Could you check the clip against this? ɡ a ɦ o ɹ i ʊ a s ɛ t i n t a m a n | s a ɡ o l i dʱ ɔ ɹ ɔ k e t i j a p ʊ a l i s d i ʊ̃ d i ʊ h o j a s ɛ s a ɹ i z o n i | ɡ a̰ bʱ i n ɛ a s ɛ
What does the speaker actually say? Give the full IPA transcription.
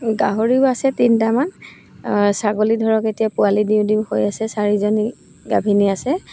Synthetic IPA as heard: ɡ a ɦ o ɹ i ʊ a s ɛ t i n t a m a n | s a ɡ o l i dʱ ɔ ɹ ɔ k e t i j a p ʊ a l i d i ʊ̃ d i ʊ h o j a s ɛ s a ɹ i z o n i | ɡ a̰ bʱ i n i a s ɛ